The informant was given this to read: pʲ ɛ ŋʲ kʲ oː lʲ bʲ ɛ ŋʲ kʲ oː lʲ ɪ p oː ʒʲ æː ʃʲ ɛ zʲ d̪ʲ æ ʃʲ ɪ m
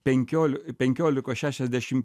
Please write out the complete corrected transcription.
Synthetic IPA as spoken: pʲ ɛ ŋʲ kʲ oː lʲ pʲ ɛ ŋʲ kʲ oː lʲ ɪ k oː ʃʲ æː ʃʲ ɛ zʲ d̪ʲ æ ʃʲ ɪ m